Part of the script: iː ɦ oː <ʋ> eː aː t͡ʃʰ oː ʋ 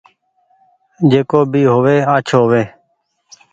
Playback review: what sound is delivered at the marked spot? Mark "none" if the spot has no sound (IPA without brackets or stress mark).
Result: ʋ